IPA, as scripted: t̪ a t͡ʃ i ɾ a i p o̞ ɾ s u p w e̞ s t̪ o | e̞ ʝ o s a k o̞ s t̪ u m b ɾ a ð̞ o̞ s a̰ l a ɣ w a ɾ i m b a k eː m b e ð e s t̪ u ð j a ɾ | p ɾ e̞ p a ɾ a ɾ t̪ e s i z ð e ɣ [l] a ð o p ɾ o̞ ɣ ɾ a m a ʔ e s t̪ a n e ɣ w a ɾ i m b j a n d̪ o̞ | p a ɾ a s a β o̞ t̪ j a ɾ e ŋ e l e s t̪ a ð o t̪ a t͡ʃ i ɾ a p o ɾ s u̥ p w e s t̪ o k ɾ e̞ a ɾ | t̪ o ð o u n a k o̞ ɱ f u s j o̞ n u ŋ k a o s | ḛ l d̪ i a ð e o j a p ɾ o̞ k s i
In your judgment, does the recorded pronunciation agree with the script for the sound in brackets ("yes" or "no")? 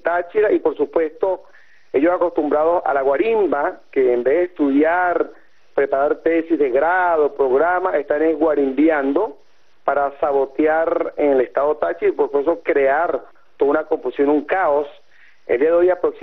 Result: no